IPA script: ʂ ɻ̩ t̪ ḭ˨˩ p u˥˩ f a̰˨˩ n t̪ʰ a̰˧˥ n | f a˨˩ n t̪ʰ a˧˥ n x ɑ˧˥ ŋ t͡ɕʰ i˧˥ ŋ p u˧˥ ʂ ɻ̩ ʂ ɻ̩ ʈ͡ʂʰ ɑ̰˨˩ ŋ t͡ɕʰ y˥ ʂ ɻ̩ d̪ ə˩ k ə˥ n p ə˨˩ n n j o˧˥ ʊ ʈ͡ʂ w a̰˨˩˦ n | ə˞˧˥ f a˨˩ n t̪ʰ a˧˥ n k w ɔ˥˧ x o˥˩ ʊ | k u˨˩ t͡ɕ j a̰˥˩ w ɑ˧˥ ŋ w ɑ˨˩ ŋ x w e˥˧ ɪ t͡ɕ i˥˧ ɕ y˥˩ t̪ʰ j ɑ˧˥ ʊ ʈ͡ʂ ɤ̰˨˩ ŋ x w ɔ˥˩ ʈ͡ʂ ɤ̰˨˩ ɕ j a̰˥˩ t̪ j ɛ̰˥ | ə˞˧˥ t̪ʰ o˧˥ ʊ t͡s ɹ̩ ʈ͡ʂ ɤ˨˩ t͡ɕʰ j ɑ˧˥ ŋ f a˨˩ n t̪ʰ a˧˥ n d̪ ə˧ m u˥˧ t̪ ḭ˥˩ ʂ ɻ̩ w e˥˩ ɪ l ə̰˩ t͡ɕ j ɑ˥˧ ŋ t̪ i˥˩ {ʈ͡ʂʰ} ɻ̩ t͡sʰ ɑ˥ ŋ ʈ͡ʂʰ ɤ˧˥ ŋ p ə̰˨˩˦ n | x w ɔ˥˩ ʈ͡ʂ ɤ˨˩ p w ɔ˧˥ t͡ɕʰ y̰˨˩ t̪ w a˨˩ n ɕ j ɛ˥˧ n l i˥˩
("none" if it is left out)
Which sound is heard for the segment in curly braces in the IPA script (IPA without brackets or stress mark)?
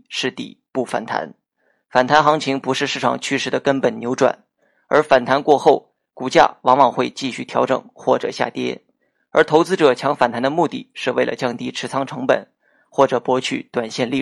ʈ͡ʂʰ